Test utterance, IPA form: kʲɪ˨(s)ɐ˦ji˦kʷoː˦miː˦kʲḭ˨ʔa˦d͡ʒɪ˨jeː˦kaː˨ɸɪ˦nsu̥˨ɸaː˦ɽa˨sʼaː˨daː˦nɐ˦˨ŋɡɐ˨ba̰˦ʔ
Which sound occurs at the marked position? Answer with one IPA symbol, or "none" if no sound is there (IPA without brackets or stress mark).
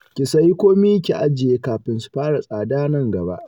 s